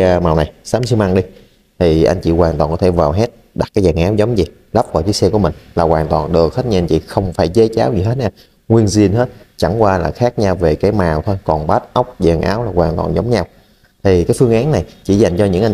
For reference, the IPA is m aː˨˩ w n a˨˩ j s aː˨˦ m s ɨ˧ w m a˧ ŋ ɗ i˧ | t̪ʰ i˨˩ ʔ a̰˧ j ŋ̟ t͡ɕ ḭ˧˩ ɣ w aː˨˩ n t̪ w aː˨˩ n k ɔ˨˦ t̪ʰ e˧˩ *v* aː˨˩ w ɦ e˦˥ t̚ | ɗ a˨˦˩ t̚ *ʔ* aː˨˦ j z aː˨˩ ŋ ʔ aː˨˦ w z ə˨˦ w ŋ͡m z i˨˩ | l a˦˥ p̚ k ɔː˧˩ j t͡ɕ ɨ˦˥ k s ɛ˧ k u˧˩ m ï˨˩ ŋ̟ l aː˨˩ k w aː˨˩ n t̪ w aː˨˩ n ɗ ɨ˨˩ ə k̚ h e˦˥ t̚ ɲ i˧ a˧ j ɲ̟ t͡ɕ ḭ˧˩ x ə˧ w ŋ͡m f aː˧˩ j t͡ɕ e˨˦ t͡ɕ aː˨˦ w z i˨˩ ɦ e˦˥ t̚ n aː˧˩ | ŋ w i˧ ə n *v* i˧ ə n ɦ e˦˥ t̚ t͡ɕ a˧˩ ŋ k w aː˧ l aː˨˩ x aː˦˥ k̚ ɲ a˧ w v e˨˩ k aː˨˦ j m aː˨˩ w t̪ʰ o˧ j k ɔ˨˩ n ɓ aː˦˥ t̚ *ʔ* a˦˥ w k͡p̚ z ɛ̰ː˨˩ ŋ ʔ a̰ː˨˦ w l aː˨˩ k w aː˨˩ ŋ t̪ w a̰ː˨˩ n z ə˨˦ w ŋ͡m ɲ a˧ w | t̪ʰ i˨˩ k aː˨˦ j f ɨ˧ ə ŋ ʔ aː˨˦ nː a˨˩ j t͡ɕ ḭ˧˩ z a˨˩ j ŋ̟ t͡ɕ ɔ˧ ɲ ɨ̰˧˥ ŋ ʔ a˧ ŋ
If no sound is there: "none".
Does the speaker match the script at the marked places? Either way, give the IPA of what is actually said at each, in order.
v, k, z, ʔ

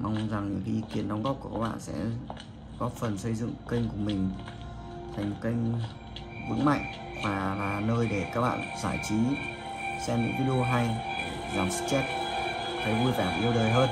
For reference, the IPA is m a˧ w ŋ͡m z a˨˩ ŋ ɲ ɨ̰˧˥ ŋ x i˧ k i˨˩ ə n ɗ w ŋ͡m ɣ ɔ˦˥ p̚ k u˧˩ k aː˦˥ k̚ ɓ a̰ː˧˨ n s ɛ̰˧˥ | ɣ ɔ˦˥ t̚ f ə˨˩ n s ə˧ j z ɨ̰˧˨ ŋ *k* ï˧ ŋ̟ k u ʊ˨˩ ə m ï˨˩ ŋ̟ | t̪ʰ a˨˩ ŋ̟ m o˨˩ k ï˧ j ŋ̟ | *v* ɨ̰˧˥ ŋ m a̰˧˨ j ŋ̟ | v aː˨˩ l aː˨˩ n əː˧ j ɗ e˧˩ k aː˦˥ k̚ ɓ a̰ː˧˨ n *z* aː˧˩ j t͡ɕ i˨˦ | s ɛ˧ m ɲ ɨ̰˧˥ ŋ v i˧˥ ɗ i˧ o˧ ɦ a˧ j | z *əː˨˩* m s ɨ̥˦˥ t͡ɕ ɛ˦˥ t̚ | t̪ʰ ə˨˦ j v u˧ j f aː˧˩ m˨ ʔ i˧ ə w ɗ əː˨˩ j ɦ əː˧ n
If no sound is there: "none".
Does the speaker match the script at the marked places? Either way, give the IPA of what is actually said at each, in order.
k, v, z, aː˨˩

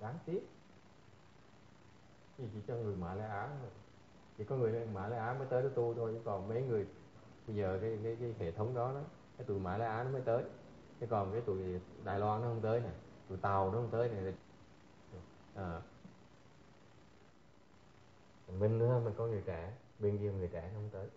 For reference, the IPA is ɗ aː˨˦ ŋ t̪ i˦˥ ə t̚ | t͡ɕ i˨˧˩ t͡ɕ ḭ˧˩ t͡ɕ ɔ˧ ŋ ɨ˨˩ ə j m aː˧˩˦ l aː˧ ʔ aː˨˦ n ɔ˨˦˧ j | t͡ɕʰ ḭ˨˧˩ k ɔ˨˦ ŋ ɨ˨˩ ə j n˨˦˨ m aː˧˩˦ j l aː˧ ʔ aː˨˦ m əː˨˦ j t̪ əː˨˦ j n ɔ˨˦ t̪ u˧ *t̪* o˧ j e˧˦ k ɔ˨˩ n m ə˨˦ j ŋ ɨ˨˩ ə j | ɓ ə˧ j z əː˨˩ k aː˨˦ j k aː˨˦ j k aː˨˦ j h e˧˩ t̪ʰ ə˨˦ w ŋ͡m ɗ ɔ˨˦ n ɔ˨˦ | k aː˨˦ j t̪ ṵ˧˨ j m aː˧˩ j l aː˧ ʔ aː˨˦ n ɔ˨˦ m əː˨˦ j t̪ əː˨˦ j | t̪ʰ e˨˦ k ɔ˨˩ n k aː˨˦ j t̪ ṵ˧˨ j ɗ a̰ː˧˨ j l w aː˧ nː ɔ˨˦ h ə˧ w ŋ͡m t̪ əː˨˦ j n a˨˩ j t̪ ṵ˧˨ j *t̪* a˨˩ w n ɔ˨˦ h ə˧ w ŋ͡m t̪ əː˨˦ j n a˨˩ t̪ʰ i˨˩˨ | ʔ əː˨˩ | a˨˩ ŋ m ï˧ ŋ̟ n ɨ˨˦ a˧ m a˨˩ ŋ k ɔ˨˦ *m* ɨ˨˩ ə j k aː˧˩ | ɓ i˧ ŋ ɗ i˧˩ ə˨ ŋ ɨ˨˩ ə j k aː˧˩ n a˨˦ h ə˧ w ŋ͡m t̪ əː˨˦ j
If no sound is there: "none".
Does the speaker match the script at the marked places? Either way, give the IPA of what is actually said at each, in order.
t̪ʰ, t̪, ŋ

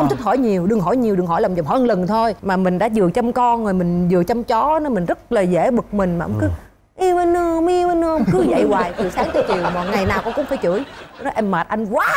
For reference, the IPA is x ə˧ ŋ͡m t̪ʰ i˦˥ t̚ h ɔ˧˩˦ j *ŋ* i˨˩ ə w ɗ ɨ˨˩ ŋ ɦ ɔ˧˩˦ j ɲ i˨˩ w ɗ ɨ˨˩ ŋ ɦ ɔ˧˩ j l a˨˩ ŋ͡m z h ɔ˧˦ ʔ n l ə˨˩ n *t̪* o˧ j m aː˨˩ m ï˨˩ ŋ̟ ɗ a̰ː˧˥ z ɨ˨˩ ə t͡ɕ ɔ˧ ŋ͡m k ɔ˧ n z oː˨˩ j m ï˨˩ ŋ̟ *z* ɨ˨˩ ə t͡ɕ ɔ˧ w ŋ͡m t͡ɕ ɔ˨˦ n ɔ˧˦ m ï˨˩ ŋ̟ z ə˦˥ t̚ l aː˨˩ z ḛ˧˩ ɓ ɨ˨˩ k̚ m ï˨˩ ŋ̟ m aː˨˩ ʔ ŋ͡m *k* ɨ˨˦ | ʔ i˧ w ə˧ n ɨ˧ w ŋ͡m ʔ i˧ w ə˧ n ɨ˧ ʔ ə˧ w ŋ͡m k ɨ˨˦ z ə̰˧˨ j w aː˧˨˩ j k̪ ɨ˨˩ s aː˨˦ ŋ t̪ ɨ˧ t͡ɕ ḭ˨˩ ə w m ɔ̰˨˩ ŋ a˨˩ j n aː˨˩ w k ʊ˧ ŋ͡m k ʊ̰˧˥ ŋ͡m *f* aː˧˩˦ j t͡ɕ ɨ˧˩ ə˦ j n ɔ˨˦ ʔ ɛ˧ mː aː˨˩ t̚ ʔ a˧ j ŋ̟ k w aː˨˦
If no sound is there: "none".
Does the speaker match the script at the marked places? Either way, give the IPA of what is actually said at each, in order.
ɲ, t̪ʰ, z, k, f

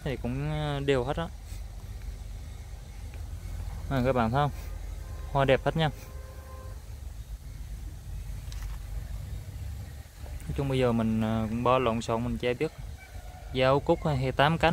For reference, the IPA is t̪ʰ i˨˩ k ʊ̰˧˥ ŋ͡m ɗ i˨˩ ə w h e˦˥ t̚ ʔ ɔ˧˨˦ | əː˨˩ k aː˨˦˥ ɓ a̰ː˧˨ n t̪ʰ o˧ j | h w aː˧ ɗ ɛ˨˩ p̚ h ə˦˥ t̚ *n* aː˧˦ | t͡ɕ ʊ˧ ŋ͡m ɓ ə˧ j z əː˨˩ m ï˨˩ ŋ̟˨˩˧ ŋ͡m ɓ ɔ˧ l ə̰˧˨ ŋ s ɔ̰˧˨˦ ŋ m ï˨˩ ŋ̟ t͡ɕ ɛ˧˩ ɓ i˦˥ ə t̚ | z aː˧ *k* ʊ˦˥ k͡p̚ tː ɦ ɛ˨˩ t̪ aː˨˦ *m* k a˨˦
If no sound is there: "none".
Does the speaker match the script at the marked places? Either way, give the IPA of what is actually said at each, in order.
ɲ, k, m

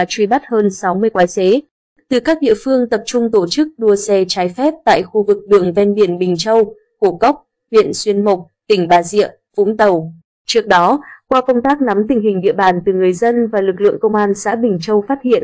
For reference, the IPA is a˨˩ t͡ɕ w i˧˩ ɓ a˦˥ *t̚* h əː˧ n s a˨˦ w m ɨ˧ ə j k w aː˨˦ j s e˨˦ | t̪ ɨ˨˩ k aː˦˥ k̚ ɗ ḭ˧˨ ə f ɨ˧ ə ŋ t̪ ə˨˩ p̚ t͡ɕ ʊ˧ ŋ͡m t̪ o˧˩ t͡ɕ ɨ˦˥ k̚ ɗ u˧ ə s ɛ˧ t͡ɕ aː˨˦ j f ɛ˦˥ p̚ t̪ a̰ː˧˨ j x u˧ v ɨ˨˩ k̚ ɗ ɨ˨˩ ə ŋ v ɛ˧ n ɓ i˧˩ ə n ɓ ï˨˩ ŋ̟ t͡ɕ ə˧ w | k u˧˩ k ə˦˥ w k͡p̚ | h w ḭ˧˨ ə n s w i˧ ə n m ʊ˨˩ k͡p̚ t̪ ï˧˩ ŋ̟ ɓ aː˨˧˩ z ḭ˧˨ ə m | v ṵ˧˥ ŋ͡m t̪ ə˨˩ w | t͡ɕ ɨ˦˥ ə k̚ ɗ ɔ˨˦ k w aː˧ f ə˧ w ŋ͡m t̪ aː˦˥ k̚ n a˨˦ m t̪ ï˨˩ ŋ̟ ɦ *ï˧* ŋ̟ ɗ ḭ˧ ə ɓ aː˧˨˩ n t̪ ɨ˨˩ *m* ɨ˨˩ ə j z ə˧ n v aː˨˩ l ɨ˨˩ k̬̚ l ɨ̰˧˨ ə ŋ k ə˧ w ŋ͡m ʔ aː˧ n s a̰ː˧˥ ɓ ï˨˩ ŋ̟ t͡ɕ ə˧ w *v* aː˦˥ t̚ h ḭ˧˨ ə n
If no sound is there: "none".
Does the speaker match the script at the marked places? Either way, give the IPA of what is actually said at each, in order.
t̚, ï˨˩, ŋ, f

